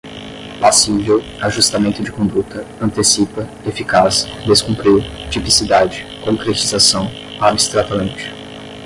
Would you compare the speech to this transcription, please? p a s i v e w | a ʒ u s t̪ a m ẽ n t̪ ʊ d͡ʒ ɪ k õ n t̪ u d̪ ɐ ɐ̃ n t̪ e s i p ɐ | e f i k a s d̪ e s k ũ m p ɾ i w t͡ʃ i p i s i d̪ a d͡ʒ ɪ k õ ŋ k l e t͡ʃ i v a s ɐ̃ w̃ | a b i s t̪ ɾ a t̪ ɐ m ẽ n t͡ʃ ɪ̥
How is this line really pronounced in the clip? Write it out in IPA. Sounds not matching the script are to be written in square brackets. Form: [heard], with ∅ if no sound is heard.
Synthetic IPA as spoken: p a s i v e w | a ʒ u s t̪ a m ẽ n t̪ ʊ d͡ʒ ɪ k õ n [d̪] u [t̪] ɐ ɐ̃ n t̪ e s i p ɐ | e f i k a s d̪ e s k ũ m p ɾ i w t͡ʃ i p i s i d̪ a d͡ʒ ɪ k õ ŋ k [ɾ] e t͡ʃ i [z] a s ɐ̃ w̃ | a b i s t̪ ɾ a t̪ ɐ m ẽ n t͡ʃ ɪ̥

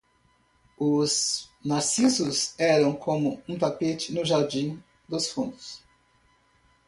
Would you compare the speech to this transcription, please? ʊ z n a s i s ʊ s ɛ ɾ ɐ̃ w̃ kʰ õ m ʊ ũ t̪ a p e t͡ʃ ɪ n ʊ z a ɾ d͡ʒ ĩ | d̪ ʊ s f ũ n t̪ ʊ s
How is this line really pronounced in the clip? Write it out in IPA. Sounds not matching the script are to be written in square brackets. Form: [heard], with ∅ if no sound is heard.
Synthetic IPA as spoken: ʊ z n a s i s ʊ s ɛ ɾ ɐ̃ w̃ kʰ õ m ʊ ũ t̪ a p e t͡ʃ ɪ n ʊ [ʒ] a ɾ d͡ʒ ĩ | d̪ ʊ s f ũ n [d̪] ʊ s

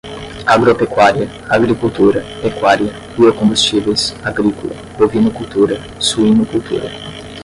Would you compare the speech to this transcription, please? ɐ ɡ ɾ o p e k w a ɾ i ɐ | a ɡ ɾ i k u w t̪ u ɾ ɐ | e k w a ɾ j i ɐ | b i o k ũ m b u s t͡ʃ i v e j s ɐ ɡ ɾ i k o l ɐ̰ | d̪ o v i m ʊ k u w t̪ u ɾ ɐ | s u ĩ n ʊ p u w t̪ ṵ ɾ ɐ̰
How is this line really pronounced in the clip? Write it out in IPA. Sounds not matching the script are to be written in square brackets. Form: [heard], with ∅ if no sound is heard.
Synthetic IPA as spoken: [a] ɡ ɾ o p e k w a ɾ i ɐ | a ɡ ɾ i k u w t̪ u ɾ ɐ | e k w a ɾ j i ɐ | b i o k [õ] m b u s t͡ʃ i v e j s [a] ɡ ɾ i k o l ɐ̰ | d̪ o v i [n] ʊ k u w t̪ u ɾ ɐ | s u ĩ n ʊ [k] u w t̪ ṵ ɾ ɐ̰

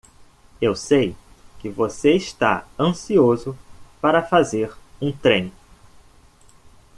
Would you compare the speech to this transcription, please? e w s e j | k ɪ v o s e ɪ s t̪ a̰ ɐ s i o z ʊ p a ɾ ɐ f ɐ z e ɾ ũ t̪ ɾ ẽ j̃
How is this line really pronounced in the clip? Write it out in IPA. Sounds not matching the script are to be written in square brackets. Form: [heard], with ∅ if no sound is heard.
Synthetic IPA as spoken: e w s e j | k ɪ v o s e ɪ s t̪ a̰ [ɐ̃] s i o z ʊ p a ɾ ɐ f [a] z e ɾ ũ t̪ ɾ ẽ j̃

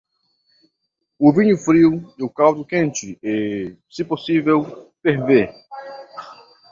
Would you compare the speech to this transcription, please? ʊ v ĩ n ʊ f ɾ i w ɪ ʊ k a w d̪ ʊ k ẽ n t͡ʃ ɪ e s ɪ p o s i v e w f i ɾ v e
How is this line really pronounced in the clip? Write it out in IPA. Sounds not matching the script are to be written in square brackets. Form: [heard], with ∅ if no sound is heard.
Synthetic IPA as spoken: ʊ v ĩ [ɲ] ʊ f ɾ i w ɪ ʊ k a w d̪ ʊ k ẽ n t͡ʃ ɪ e s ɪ p o s i v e w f [e] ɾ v e

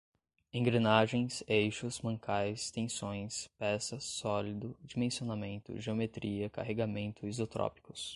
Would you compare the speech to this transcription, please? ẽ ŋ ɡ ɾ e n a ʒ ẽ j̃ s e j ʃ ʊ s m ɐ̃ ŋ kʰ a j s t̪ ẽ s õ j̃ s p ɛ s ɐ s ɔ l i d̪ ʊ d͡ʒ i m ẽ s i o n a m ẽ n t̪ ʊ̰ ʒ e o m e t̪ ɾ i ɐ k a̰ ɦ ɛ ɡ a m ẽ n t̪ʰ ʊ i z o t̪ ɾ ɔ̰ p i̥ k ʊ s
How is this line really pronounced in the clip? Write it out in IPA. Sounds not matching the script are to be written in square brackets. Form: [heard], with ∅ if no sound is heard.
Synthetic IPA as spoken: ẽ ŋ ɡ ɾ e n a ʒ ẽ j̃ s e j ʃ ʊ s m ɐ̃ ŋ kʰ a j s t̪ ẽ s õ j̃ s p ɛ s ɐ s ɔ l i d̪ ʊ d͡ʒ i m ẽ s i o n a m ẽ n t̪ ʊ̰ ʒ e o m e t̪ ɾ i ɐ k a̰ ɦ [e] ɡ a m ẽ n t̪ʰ ʊ i z o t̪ ɾ ɔ̰ p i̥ k ʊ s

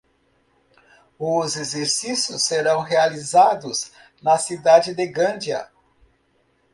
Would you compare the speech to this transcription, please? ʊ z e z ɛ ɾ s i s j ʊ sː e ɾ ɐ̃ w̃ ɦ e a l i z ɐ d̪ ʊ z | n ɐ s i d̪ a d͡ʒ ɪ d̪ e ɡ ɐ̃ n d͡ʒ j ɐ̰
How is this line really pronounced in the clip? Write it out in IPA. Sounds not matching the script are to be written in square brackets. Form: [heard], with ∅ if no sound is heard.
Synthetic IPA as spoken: ʊ z e z [e] ɾ s i s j ʊ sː e ɾ ɐ̃ w̃ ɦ e a l i z [a] d̪ ʊ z | n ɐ s i d̪ a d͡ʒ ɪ d̪ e ɡ ɐ̃ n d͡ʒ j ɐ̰

